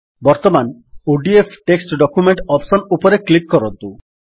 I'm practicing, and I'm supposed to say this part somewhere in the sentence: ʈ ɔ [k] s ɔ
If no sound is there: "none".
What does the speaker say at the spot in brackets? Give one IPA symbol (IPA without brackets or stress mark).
p